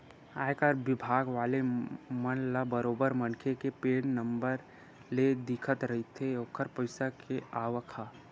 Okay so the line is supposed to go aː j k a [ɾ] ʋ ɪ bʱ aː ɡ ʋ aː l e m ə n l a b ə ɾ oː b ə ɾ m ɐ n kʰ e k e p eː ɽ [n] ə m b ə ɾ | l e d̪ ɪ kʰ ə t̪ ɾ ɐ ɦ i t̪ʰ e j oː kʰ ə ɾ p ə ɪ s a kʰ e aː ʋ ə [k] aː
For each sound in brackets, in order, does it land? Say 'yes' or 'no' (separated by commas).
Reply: yes, yes, no